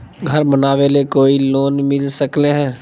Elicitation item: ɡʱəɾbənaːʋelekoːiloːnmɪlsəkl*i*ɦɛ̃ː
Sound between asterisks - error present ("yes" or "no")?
yes